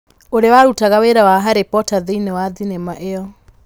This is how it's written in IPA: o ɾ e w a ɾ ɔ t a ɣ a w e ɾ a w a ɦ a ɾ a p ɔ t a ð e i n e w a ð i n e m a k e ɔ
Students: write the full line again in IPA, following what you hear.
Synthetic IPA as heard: o ɾ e w a ɾ u t a ɣ a w e ɾ a w a ɦ a ɾ e p ɔ t a ð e i n e w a ð i n e m a ʔ e ɔ